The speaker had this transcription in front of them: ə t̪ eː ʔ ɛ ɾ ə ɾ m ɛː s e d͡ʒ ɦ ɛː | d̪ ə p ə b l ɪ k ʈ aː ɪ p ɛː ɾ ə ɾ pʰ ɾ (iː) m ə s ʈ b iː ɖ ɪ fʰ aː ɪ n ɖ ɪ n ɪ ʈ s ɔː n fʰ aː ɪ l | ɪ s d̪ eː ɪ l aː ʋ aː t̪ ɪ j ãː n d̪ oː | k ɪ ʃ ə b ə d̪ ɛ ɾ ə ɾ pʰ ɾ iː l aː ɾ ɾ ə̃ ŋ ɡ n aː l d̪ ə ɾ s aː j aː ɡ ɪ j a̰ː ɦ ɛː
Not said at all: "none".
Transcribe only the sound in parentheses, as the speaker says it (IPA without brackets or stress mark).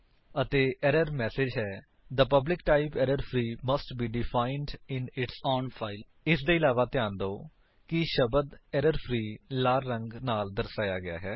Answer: iː